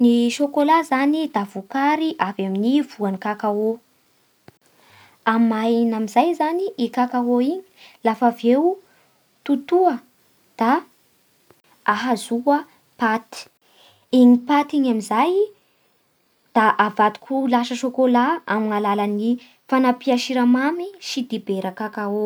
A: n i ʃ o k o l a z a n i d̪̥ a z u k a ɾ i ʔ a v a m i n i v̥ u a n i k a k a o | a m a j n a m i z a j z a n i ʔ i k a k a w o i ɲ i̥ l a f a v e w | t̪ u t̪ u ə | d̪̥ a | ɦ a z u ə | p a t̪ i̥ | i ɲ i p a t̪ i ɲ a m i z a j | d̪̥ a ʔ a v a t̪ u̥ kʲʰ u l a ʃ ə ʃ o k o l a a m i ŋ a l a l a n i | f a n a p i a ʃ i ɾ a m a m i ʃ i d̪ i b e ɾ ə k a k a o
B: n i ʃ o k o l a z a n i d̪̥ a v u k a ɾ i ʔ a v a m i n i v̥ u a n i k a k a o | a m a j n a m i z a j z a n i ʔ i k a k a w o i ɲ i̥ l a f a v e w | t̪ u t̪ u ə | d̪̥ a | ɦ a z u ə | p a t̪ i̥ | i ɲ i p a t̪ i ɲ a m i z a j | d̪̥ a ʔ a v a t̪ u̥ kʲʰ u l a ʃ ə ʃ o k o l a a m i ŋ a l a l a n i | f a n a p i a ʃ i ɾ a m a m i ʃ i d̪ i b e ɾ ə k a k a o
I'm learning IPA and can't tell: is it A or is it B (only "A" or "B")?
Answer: B